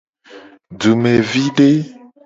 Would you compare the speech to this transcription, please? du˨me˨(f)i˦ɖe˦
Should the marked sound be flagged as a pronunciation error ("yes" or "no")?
yes